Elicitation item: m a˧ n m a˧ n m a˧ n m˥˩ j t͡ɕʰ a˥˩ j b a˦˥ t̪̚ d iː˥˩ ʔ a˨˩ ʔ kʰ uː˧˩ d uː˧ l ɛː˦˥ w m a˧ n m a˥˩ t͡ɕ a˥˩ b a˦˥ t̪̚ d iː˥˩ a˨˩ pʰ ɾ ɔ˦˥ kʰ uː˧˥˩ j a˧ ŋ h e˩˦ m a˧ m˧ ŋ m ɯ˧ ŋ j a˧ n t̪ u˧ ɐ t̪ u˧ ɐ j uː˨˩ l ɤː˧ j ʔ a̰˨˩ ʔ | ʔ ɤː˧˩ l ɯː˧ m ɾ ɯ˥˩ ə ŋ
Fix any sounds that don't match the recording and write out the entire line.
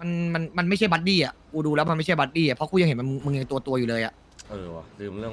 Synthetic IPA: m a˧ n m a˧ n m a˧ n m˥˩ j t͡ɕʰ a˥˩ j b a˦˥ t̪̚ d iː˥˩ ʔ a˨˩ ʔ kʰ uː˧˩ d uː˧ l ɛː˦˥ w m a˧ n m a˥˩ t͡ɕʰ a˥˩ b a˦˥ t̪̚ d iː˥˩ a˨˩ pʰ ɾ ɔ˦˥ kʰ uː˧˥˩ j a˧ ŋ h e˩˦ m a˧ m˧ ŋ m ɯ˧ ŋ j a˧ ŋ t̪ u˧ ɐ t̪ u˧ ɐ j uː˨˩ l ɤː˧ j ʔ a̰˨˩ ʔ | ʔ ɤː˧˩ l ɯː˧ m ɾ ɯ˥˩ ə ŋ